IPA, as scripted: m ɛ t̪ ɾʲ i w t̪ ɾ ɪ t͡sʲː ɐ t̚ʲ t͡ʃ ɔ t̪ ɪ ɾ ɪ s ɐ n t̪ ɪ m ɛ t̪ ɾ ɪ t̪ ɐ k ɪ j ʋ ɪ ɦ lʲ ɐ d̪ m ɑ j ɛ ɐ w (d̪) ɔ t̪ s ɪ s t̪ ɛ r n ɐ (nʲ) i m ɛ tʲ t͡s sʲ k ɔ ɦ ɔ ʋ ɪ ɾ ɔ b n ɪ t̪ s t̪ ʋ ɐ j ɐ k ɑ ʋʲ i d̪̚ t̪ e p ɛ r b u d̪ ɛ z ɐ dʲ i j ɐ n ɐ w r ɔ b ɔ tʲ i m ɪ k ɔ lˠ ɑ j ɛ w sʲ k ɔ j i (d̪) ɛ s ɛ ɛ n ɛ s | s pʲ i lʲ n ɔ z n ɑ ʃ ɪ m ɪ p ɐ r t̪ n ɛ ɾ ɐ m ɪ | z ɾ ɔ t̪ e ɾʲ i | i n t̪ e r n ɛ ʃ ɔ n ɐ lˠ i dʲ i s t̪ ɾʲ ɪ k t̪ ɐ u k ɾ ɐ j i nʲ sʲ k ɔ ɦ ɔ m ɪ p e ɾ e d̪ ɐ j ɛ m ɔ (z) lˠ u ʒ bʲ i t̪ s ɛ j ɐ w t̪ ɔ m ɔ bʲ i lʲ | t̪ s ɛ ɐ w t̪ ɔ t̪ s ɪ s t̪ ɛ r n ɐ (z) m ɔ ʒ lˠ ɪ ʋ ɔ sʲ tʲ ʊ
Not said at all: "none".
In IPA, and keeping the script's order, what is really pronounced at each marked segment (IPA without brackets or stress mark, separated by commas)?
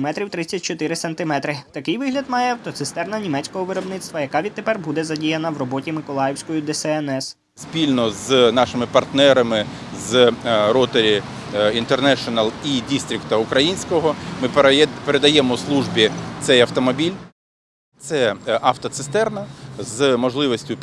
t̪, nʲ, d̪, s, z